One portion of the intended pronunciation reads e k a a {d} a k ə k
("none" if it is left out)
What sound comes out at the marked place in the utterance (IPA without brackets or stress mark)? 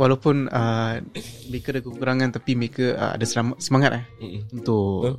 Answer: d